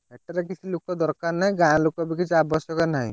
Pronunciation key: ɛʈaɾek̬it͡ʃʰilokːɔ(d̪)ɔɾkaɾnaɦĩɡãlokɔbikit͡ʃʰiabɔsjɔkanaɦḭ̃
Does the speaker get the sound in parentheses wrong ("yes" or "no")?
no